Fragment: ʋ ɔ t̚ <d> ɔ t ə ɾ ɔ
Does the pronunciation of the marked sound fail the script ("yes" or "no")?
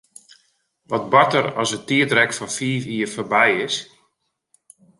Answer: yes